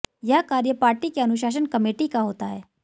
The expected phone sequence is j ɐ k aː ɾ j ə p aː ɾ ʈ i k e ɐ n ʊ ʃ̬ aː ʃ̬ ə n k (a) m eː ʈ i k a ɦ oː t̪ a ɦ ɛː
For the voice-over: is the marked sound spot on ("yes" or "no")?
no